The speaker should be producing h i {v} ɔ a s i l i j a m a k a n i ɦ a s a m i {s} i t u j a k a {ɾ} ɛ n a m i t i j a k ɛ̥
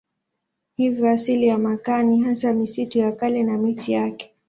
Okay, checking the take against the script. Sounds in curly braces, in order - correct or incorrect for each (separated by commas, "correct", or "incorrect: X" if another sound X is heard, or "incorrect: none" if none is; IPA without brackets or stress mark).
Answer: correct, correct, incorrect: l